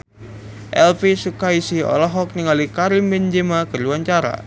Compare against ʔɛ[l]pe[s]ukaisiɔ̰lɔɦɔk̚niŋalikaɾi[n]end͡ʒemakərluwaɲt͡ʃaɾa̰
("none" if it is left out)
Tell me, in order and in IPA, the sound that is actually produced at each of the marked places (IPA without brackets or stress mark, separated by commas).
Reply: l, s, m